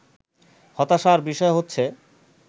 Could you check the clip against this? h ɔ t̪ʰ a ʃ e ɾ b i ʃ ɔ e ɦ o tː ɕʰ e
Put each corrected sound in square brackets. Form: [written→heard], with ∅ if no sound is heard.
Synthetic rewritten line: h ɔ [t̪ʰ→t̪] a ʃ [e→a] ɾ b i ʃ ɔ e ɦ o tː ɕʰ e